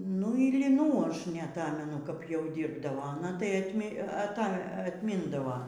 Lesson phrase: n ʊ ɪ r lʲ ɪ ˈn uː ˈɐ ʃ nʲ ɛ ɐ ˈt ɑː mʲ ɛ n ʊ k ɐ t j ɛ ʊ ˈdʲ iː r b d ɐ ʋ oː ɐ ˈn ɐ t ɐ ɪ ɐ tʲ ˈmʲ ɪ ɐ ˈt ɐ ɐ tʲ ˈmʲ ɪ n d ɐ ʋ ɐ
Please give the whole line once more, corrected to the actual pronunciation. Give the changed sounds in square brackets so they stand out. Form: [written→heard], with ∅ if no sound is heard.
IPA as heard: n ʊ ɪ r lʲ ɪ ˈn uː ˈɐ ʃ nʲ ɛ ɐ ˈt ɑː mʲ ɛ n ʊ k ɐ [t→p] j ɛ ʊ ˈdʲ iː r b d ɐ ʋ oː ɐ ˈn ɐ t ɐ ɪ ɐ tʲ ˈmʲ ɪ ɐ ˈt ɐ ɐ tʲ ˈmʲ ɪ n d ɐ ʋ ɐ